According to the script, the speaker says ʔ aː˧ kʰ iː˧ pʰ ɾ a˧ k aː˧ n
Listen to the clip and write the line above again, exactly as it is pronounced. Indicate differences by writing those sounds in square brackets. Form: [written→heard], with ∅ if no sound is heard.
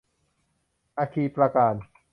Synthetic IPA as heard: ʔ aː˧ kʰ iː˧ [pʰ→p] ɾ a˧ k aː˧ n

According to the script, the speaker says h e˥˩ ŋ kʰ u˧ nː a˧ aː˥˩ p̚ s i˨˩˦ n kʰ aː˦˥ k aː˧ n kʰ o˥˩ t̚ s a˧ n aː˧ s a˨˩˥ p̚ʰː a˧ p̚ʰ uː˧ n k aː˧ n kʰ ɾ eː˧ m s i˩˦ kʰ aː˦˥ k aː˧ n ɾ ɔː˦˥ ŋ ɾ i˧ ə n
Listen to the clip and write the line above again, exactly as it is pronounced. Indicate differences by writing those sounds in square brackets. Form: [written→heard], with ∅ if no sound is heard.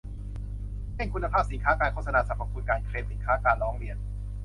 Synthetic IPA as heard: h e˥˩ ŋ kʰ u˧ nː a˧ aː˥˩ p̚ s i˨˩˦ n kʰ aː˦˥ k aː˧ n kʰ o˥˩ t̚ s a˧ n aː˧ s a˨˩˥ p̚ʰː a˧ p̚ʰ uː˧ n k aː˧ n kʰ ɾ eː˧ m s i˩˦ kʰ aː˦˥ k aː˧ n ɾ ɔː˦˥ ŋ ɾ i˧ ə n

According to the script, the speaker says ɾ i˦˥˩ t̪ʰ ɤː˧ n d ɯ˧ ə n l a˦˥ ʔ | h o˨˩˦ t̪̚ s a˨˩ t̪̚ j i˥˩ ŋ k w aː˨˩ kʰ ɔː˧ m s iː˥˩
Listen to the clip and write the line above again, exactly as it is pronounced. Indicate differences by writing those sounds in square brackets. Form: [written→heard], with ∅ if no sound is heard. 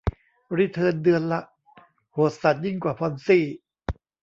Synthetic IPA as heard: ɾ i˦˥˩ t̪ʰ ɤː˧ n d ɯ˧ ə n l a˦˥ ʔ | h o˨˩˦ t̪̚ s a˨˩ t̪̚ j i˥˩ ŋ k w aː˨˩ [kʰ→pʰ] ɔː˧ [m→n] s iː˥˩

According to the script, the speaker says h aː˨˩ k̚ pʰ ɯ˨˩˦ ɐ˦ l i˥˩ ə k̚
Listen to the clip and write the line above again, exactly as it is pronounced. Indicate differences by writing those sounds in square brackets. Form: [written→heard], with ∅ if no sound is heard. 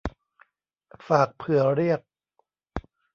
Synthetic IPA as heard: [h→f] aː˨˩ k̚ pʰ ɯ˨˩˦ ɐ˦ [l→ɾ] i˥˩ ə k̚

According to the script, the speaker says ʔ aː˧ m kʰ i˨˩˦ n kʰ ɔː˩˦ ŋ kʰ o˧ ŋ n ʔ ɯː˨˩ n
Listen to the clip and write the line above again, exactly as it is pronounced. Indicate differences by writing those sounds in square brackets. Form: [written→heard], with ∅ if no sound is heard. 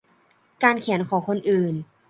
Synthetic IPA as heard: [ʔ→k] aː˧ [m→n] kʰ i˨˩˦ n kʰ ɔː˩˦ ŋ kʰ o˧ [ŋ→∅] n ʔ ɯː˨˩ n

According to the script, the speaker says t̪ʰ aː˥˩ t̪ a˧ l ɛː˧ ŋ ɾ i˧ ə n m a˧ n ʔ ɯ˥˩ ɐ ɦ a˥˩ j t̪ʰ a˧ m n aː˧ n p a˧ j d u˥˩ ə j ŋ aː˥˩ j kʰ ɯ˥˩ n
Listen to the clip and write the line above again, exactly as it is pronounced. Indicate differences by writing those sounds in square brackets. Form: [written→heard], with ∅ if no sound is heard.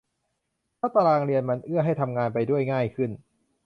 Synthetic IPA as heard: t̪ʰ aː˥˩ t̪ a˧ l [ɛː˧→aː˧] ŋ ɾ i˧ ə n m a˧ n ʔ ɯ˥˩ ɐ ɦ a˥˩ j t̪ʰ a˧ m [n→ŋ] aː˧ n p a˧ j d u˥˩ ə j ŋ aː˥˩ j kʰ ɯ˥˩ n

